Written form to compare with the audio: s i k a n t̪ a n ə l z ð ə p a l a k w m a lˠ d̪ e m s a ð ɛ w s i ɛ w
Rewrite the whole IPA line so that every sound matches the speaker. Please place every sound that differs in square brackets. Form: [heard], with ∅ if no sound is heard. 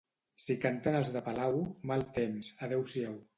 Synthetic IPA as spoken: s i k a n t̪ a n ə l z ð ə p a l a [∅] w m a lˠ [t̪] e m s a ð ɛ w s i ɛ w